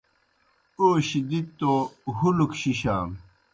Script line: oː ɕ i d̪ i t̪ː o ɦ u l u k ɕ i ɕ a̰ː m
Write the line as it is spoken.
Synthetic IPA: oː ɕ i d̪ i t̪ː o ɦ u l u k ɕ i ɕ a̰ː m